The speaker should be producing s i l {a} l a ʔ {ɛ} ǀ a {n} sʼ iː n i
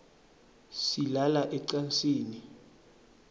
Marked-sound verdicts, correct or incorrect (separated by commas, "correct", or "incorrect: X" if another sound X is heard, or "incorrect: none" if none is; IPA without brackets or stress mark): correct, correct, correct